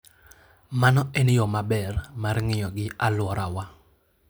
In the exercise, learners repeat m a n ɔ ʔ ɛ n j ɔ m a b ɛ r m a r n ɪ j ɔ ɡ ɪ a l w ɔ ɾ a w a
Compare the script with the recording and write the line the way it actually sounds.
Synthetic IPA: m a n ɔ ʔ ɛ n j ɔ m a b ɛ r m a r ŋ ɪ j ɔ ɡ ɪ a l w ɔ ɾ a w a